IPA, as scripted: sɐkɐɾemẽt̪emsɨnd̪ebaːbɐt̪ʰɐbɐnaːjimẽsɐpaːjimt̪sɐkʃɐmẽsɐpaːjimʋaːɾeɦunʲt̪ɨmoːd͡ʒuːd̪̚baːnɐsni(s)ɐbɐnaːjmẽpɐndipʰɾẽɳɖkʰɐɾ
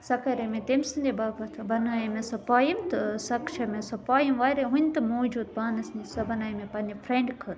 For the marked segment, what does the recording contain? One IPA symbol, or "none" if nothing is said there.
s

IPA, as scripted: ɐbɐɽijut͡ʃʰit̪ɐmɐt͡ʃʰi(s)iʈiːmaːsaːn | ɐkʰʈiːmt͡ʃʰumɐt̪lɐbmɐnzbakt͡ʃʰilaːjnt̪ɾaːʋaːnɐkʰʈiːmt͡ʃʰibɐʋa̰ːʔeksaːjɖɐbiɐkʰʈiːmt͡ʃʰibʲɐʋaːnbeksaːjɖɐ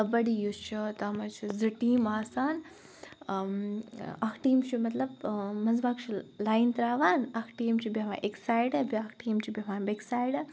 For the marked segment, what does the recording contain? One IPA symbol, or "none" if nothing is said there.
z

